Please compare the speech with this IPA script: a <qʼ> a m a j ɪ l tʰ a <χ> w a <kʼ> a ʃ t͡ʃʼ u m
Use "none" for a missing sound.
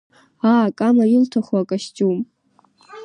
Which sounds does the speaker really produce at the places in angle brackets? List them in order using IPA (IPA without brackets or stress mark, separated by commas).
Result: kʼ, χ, kʼ